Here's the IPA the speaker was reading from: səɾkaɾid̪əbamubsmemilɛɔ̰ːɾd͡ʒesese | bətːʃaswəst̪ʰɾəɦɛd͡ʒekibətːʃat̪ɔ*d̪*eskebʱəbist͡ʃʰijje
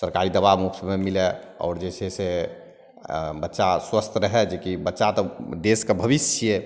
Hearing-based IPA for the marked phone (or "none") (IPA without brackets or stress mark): d̪